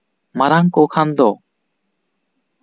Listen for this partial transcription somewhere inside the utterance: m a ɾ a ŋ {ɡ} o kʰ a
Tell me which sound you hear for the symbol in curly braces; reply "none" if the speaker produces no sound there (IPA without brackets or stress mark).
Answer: k